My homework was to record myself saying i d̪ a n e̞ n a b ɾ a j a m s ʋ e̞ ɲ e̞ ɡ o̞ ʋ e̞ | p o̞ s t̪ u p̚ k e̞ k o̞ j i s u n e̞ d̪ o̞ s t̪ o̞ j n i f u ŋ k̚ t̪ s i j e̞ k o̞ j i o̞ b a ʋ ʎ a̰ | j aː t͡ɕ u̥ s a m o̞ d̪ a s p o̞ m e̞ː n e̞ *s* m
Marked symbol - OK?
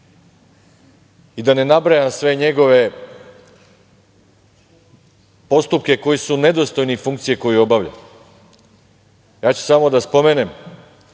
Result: no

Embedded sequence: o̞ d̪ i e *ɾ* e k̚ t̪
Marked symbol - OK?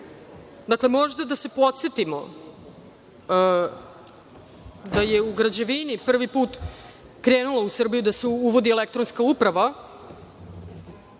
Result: no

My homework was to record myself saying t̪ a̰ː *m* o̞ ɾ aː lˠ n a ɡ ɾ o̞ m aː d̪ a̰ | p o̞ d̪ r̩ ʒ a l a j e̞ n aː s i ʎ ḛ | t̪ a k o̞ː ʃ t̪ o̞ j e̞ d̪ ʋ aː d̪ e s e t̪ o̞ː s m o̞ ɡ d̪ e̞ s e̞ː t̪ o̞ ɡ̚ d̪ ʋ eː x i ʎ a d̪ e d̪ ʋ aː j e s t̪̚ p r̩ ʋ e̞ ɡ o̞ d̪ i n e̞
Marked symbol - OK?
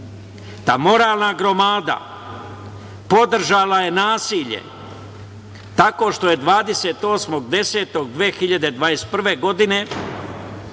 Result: yes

